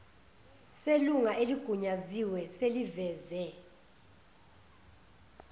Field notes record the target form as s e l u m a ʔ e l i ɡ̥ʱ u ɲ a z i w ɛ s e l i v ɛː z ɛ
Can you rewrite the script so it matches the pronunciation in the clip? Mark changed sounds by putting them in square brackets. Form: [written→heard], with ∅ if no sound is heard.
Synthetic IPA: s e l u [m→ŋ] a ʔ e l i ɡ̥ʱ u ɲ a z i w ɛ s e l i v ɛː z ɛ